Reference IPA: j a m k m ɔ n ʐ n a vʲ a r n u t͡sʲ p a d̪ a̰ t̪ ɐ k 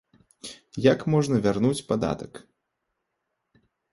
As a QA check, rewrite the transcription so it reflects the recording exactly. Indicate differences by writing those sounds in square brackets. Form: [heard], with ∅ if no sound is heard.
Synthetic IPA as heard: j a [∅] k m ɔ [∅] ʐ n [ɐ] vʲ a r n u t͡sʲ p a d̪ a̰ t̪ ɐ k